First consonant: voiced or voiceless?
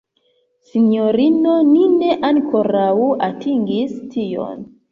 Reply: voiceless